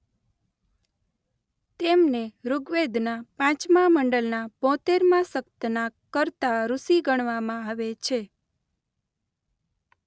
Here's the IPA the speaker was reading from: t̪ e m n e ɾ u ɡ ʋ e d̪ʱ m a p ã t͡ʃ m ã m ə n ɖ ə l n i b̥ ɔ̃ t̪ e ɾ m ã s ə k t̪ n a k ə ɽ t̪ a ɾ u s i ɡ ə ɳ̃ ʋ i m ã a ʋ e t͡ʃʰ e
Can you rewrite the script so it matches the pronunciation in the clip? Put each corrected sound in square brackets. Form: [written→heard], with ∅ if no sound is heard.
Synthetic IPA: t̪ e m n e ɾ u ɡ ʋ e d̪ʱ [m→n] a p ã t͡ʃ m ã m ə [n→ɳ] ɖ ə l n [i→a] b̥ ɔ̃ t̪ e ɾ m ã s ə k t̪ n a k ə [ɽ→ɾ] t̪ a ɾ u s i ɡ ə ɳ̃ ʋ [i→a] m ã a ʋ e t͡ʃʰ e